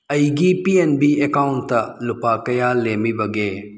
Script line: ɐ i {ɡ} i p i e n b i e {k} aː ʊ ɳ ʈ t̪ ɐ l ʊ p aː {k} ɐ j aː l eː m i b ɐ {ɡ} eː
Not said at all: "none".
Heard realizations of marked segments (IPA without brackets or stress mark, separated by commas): ɡ, k, k, ɡ